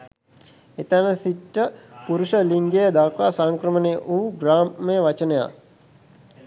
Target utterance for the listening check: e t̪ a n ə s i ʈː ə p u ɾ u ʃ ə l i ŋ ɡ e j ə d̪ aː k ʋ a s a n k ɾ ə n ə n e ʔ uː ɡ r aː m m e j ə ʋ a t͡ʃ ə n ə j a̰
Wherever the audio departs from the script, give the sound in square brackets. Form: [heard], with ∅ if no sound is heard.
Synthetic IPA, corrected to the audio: e t̪ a n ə s i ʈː ə p u ɾ u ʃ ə l i ŋ ɡ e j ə d̪ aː k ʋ a s a [ŋ] k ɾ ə [m] ə n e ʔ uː ɡ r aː m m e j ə ʋ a t͡ʃ ə n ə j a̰